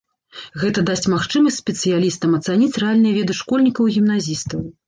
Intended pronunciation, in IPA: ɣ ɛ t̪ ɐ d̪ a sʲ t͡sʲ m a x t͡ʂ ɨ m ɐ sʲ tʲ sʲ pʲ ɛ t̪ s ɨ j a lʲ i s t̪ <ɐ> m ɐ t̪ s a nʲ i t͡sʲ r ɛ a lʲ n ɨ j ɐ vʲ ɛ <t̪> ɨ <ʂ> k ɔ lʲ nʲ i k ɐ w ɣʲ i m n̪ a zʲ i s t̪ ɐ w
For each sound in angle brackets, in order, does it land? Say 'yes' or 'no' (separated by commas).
yes, no, yes